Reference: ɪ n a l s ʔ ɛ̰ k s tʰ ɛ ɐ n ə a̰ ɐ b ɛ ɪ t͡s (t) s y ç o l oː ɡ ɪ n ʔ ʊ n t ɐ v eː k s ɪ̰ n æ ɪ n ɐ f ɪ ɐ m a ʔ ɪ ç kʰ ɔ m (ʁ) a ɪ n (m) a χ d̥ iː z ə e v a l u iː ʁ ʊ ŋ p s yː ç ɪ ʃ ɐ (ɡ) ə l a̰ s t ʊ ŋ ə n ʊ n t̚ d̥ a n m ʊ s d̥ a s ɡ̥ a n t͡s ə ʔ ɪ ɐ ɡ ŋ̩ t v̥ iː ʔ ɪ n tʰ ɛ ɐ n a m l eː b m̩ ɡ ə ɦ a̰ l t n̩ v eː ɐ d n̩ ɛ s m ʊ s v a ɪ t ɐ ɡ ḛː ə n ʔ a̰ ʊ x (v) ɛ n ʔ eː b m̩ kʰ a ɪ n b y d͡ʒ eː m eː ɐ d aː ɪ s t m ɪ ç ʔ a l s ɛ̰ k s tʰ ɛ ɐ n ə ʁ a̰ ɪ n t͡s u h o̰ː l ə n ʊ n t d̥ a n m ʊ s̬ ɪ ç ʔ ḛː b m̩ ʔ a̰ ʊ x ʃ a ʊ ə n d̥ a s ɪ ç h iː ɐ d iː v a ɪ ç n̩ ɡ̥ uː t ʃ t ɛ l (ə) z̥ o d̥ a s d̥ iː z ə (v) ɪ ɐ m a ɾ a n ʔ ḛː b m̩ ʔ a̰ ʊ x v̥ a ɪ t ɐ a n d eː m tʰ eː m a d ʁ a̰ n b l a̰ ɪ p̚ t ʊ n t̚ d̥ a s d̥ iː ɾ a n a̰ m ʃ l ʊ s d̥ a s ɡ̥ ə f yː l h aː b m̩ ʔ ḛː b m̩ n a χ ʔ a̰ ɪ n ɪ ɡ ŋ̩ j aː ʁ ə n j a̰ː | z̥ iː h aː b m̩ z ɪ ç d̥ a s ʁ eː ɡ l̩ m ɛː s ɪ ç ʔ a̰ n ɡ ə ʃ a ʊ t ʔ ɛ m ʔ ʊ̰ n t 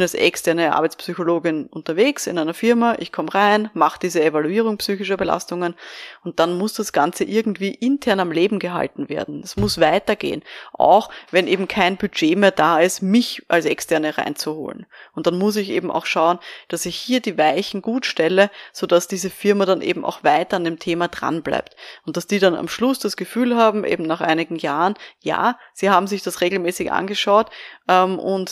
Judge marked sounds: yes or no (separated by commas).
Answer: no, yes, yes, no, yes, yes, no